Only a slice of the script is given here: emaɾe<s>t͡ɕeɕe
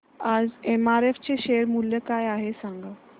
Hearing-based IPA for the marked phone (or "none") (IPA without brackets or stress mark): f